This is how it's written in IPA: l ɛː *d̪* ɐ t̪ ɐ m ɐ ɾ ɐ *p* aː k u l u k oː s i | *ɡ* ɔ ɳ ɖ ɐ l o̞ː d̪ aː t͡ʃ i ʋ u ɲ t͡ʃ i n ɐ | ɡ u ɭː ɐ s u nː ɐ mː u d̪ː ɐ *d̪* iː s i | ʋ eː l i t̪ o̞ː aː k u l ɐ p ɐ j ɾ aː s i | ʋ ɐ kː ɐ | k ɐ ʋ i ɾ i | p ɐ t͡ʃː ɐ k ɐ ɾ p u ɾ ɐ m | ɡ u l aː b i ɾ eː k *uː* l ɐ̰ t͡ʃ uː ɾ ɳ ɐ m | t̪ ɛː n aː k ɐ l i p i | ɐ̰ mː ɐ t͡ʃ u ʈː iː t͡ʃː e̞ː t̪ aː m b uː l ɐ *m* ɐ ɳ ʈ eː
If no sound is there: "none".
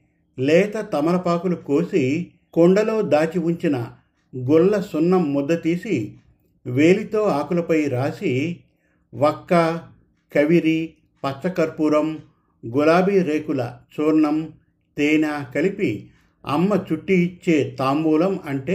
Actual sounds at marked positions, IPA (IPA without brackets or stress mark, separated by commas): t̪, p, k, t̪, u, m